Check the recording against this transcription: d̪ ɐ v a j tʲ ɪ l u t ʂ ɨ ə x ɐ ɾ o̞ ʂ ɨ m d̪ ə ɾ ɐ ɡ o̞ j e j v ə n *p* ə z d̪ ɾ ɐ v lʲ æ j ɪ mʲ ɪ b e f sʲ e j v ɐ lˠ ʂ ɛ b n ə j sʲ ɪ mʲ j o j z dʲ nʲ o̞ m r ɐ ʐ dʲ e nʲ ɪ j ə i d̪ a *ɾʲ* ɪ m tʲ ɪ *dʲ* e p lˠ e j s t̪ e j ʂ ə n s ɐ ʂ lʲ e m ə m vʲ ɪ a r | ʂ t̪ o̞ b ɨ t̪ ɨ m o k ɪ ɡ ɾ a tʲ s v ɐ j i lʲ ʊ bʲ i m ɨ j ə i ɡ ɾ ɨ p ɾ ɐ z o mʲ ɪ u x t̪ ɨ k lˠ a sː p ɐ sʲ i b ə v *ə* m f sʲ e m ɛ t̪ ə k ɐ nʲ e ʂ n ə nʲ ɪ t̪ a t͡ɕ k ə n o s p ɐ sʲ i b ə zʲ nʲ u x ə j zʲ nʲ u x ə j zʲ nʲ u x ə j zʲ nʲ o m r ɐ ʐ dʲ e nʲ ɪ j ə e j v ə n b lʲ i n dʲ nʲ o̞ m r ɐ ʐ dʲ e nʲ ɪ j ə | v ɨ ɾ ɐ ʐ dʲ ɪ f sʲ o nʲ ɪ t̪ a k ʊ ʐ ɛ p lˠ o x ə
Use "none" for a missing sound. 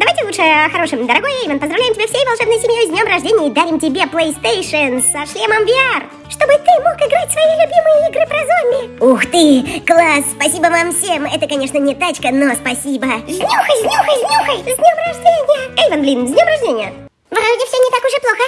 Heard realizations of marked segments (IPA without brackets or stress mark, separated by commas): p, ɾʲ, bʲ, a